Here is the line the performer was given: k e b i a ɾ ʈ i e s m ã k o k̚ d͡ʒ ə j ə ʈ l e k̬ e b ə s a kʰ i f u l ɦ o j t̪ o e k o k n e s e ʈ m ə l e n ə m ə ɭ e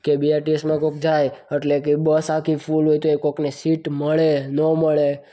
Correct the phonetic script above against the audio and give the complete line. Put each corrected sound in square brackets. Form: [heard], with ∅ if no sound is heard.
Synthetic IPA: k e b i a ɾ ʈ i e s m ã k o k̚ d͡ʒ [a] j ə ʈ l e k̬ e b ə s a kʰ i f u l ɦ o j t̪ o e k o k n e s [i] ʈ m ə [ɭ] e n ə m ə ɭ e